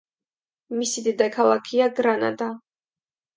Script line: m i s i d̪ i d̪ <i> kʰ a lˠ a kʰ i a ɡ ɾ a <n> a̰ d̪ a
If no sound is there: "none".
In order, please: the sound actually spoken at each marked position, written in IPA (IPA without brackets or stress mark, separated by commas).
a, n